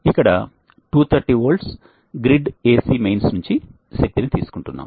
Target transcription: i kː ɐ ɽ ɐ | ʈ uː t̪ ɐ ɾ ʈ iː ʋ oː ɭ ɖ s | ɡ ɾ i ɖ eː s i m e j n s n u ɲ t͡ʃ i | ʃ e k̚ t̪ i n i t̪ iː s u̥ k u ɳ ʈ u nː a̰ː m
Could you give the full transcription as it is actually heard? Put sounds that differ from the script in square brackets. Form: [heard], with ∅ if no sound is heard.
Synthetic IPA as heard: i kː ɐ ɽ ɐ | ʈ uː [t̪ʰ] ɐ ɾ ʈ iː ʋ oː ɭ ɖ s | ɡ ɾ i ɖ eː s i m e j n s n u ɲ t͡ʃ i | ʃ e k̚ t̪ i n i t̪ iː s u̥ k u ɳ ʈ u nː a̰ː m